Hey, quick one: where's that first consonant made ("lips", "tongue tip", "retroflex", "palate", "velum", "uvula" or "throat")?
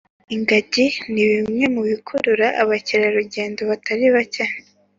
velum